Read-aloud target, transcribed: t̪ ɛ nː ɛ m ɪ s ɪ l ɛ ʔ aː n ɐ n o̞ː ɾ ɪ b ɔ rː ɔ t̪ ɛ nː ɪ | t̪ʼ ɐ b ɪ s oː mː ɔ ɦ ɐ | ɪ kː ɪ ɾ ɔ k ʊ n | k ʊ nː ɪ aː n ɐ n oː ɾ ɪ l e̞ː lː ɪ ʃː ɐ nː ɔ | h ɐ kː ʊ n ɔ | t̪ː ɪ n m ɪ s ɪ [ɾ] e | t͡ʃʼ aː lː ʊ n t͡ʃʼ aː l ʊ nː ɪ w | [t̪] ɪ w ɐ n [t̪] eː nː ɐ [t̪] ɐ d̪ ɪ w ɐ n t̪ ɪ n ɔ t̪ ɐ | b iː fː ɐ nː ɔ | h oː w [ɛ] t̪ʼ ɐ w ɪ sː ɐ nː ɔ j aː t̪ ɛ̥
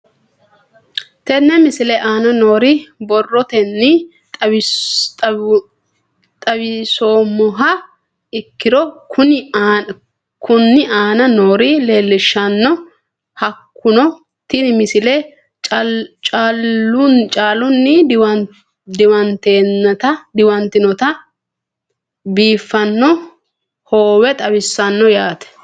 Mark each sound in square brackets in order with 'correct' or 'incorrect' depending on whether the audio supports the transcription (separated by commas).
incorrect, incorrect, correct, correct, correct